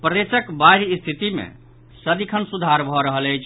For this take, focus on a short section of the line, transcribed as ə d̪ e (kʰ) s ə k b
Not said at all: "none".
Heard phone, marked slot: none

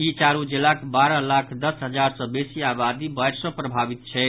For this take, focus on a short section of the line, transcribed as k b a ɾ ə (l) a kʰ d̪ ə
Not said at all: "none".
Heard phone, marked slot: l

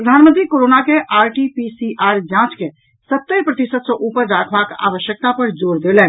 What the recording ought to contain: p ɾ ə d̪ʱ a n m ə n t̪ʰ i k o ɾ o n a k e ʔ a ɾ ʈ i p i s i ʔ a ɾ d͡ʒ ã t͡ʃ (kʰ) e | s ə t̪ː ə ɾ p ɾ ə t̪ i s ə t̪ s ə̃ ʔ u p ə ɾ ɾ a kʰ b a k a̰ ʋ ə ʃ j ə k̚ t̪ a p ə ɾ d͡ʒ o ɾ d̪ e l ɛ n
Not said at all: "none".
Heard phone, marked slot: k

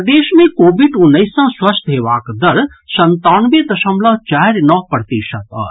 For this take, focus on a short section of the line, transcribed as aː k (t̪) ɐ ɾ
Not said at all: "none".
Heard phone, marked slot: d̪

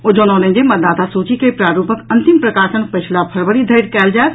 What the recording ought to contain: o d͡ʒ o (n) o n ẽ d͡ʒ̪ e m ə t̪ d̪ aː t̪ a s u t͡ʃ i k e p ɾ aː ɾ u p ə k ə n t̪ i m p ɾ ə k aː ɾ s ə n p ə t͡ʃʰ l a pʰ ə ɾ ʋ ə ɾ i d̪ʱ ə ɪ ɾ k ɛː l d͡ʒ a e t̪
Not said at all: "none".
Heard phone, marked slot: n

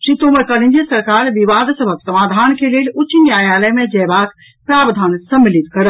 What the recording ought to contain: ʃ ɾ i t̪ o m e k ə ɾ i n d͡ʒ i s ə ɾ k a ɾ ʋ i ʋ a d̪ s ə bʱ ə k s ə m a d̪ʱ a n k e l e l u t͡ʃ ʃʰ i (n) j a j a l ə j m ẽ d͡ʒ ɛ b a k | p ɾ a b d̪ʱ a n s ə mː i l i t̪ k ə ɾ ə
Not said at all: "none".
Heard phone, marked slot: n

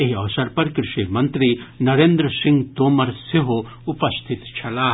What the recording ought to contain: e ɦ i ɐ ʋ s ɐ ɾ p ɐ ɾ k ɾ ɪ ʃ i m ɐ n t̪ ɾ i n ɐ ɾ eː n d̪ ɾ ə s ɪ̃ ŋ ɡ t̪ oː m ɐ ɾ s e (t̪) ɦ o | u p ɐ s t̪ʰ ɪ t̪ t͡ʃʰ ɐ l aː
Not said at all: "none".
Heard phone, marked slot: none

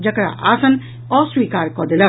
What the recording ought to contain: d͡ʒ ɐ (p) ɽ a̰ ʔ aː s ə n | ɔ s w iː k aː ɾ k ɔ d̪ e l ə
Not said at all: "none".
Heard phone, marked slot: k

